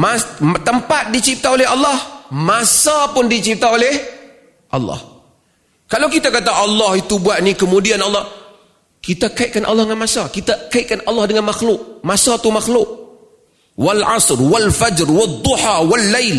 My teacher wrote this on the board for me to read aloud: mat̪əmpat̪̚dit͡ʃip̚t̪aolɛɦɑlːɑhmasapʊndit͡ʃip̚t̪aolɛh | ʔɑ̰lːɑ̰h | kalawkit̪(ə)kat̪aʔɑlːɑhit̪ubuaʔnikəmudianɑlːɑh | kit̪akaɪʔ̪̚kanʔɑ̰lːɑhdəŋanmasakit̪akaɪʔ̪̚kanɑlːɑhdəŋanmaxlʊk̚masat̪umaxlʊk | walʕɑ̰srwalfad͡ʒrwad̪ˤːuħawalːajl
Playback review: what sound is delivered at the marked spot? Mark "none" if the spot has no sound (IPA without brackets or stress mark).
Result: a